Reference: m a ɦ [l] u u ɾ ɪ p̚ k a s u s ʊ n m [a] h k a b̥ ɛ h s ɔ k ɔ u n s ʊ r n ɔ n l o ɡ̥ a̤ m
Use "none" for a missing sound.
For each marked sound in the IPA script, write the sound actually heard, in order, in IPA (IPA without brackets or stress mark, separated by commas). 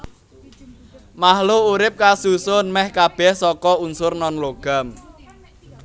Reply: l, ɛ